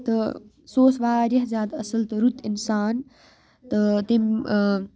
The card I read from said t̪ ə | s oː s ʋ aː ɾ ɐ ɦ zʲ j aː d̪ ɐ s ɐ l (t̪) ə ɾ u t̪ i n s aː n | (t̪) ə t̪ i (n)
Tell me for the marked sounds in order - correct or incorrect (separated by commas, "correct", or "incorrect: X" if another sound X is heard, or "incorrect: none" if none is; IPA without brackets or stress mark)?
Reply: correct, correct, incorrect: m